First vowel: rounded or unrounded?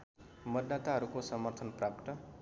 unrounded